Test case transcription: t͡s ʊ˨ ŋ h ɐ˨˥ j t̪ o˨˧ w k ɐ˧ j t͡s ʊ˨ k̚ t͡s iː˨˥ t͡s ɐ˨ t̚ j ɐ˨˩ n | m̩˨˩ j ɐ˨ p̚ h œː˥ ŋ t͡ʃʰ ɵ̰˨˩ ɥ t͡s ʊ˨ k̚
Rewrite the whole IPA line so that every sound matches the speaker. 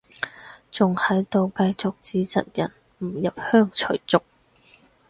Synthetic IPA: t͡s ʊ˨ ŋ h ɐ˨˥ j t̪ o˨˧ w k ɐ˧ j t͡s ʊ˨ k̚ t͡s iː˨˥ t͡s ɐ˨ t̚ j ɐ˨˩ n | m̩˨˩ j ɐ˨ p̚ h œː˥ ŋ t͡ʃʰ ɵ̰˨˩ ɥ t͡s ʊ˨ k̚